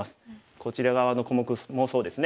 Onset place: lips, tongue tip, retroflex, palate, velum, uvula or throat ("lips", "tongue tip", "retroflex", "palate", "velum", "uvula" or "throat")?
tongue tip